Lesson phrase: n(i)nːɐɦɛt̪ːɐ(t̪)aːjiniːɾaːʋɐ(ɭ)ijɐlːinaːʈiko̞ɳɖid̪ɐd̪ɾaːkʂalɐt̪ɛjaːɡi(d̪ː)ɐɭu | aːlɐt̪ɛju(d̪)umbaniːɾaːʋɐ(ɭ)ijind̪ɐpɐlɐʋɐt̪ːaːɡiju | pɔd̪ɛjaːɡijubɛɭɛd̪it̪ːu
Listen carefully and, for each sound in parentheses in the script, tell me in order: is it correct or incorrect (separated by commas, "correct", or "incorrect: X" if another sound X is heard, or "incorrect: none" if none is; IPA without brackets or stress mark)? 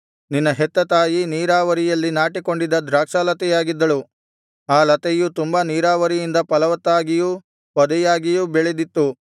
correct, correct, incorrect: ɾ, correct, incorrect: t̪, incorrect: ɾ